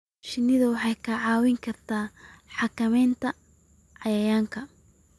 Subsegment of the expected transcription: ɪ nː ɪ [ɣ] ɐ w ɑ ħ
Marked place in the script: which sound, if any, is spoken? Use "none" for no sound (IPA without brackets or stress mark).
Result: ð